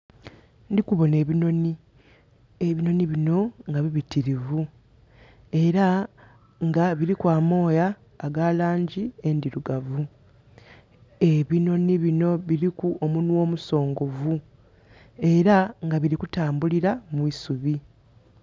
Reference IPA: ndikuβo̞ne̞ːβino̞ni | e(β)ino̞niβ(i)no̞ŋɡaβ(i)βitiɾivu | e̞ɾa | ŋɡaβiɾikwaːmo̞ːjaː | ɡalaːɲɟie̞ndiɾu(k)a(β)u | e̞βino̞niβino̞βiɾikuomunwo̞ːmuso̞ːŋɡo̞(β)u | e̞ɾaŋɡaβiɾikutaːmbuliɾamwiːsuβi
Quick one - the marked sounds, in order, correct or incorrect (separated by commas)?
correct, correct, correct, incorrect, incorrect, incorrect